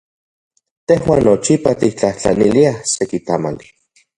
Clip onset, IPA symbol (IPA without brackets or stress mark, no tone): t̪